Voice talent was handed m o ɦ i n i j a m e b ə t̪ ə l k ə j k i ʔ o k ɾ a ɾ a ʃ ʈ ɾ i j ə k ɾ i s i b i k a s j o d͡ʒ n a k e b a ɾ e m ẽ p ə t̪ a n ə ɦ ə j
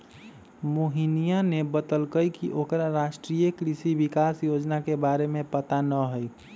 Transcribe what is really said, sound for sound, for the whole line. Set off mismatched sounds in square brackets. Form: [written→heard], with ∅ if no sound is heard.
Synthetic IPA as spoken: m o ɦ i n i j a [m→n] e b ə t̪ ə l k ə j k i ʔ o k ɾ a ɾ a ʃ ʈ ɾ i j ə k ɾ i s i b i k a s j o d͡ʒ n a k e b a ɾ e m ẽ p ə t̪ a n ə ɦ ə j